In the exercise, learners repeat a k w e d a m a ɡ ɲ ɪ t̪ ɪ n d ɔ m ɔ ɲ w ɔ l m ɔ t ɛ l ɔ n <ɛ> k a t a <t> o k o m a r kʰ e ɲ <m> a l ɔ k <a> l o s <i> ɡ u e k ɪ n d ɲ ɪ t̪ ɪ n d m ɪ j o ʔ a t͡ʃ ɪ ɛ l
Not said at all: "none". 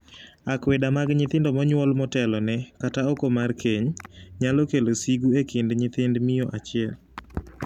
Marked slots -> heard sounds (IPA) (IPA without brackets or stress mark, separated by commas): ɛ, none, ɲ, e, i